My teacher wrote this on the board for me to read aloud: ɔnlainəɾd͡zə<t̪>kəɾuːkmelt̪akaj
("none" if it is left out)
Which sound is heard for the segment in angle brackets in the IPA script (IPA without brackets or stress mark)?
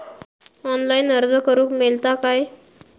none